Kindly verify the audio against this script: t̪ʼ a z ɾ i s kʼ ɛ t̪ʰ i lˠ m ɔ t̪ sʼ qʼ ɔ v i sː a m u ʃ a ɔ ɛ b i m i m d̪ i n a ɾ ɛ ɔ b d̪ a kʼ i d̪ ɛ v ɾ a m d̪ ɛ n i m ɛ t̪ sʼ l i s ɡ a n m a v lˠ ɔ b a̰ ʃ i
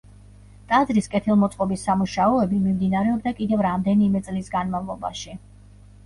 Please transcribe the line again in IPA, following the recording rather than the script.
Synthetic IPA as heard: t̪ʼ a z ɾ i s kʼ ɛ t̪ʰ i lˠ m ɔ t̪ sʼ qʼ ɔ b i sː a m u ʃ a ɔ ɛ b i m i m d̪ i n a ɾ ɛ ɔ b d̪ a kʼ i d̪ ɛ v ɾ a m d̪ ɛ n i m ɛ t̪ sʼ l i s ɡ a n m a v lˠ ɔ b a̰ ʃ i